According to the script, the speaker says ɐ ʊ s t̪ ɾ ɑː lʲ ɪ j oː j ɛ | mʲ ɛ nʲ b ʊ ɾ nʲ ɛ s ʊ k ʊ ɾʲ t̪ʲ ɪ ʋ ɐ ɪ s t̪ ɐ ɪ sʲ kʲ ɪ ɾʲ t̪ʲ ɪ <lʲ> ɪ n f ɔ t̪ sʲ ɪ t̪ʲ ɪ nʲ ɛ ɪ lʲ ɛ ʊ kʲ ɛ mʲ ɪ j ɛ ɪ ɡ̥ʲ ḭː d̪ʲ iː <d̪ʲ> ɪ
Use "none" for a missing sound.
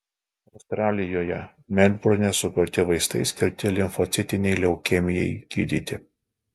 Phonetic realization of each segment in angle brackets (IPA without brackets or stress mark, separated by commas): lʲ, t̪ʲ